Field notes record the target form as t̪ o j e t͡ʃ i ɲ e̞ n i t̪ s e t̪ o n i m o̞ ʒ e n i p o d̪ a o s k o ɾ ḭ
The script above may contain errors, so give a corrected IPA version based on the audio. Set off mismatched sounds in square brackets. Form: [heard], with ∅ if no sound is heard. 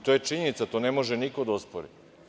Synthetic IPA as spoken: t̪ o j e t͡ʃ i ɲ e̞ n i t̪ s [a] t̪ o n [e] m o̞ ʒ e n i [k] o d̪ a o s [p] o ɾ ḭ